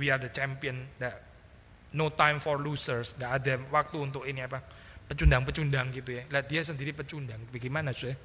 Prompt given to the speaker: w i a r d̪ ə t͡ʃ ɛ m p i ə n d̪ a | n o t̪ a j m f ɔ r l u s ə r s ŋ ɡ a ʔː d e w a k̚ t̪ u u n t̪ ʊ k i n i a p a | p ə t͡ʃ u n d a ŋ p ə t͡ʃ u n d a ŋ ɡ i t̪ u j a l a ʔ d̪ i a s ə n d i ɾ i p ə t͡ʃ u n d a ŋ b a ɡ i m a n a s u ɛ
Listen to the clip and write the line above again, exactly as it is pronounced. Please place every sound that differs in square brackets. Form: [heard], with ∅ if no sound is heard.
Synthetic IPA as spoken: w i a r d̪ ə t͡ʃ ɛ m p i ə n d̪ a | n o t̪ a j m f ɔ r l u s ə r s ŋ ɡ a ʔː d [a] w a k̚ t̪ u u n t̪ ʊ k i n i a p a | p ə t͡ʃ u n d a ŋ p ə t͡ʃ u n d a ŋ ɡ i t̪ u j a l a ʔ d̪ i a s ə n d i ɾ i p ə t͡ʃ u n d a ŋ b a ɡ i m a n a s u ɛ